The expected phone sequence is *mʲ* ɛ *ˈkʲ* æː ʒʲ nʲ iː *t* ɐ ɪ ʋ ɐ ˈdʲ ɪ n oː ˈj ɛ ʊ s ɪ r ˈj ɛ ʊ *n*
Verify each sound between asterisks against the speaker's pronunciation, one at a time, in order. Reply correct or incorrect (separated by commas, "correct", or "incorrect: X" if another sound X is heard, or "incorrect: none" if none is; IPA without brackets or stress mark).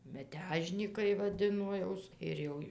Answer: correct, incorrect: tʲ, incorrect: k, incorrect: none